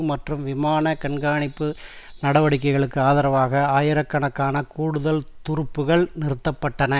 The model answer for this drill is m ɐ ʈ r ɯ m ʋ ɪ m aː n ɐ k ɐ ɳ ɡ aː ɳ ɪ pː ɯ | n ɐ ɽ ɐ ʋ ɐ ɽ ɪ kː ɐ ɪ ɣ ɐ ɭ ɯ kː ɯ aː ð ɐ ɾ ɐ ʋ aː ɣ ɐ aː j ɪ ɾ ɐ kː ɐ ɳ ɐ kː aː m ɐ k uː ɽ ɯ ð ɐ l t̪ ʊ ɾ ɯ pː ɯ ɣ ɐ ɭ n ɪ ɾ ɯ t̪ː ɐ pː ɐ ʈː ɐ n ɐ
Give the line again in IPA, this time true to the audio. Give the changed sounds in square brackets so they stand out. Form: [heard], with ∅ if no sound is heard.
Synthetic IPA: m ɐ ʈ r ɯ m ʋ ɪ m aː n ɐ k ɐ ɳ ɡ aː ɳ ɪ pː ɯ | n ɐ ɽ ɐ ʋ ɐ ɽ ɪ kː ɐ ɪ ɣ ɐ ɭ ɯ kː ɯ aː ð ɐ ɾ ɐ ʋ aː ɣ ɐ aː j ɪ ɾ ɐ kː ɐ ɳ ɐ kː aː [n] ɐ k uː ɽ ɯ ð ɐ l t̪ ʊ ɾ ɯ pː ɯ ɣ ɐ ɭ n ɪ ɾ ɯ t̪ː ɐ pː ɐ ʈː ɐ n ɐ